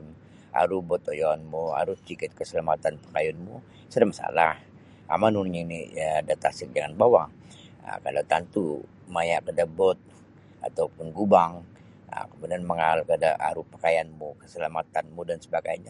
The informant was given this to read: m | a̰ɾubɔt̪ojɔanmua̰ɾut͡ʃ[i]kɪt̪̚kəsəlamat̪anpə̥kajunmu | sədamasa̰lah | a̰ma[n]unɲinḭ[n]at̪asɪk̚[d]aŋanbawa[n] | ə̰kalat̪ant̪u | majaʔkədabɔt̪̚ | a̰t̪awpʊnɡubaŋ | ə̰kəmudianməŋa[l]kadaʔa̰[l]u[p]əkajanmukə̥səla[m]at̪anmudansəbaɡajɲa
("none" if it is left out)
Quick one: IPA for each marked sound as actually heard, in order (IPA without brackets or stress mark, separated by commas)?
i, n, d, d͡ʒ, ŋ, l, ɾ, p, m